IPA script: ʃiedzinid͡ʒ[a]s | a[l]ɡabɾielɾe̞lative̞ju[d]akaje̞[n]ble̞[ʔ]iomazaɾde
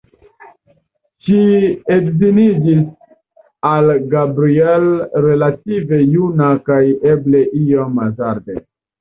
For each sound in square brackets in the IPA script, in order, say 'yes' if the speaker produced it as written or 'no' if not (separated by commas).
no, yes, no, no, yes